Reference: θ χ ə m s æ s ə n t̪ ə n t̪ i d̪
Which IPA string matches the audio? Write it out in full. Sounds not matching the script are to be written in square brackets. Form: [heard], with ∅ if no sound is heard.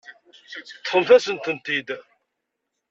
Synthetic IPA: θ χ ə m [θ] æ s ə n t̪ ə n t̪ i d̪